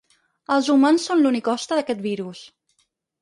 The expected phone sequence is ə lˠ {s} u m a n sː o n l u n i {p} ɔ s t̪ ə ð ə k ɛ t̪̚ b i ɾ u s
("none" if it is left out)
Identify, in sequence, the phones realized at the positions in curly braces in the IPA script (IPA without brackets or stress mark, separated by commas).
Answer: z, k